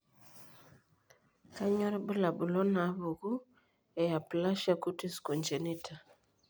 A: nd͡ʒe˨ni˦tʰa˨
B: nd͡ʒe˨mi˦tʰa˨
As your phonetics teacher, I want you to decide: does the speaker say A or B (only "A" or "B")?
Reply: A